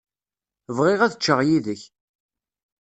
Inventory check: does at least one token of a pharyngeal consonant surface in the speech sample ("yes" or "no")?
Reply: no